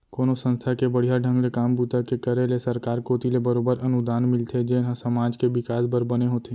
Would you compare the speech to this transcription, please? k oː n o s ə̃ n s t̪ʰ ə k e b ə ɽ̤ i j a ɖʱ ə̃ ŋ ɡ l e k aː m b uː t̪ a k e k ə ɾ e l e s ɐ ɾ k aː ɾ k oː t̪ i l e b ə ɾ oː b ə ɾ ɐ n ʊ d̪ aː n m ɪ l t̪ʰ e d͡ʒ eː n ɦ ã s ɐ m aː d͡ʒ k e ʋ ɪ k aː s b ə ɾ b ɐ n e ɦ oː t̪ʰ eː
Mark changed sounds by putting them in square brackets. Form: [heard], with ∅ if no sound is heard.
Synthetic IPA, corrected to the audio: k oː n o s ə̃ n s t̪ʰ [a] k e b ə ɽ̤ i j a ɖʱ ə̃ ŋ ɡ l e k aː m b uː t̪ a k e k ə ɾ e l e s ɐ ɾ k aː ɾ k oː t̪ i l e b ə ɾ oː b ə ɾ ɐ n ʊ d̪ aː n m ɪ l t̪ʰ e d͡ʒ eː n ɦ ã s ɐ m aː d͡ʒ k e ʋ ɪ k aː s b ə ɾ b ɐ n e ɦ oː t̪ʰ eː